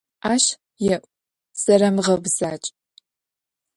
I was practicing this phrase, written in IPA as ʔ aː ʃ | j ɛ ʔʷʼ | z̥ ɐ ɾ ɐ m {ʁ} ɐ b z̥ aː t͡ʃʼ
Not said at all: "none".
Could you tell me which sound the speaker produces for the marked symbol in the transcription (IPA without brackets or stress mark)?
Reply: ʁ